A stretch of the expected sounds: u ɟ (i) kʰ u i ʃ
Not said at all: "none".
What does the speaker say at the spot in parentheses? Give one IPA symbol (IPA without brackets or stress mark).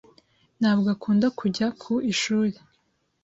a